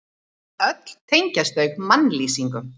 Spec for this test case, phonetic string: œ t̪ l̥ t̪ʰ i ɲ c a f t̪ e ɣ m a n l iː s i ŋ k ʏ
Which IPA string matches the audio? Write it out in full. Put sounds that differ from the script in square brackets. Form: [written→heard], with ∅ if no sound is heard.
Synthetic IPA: œ t̪ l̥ t̪ʰ [i→e] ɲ c a [f→s] t̪ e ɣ m a n l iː s i ŋ k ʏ